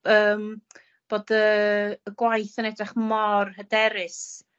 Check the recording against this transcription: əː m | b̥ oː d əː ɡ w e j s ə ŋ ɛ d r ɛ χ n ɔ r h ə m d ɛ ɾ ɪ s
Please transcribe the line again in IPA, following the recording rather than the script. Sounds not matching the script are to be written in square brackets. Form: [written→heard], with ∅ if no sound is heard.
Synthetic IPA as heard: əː m | b̥ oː d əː ɡ w [e→a] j [s→θ] ə [ŋ→n] ɛ d r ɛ χ [n→m] ɔ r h ə [m→∅] d ɛ ɾ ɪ s